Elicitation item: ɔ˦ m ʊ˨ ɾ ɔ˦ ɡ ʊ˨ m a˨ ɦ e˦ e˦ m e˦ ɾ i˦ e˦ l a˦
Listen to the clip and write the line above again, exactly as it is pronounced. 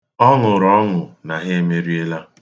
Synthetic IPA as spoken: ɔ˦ ŋ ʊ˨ ɾ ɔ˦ ŋ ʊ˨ n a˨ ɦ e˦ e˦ m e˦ ɾ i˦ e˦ l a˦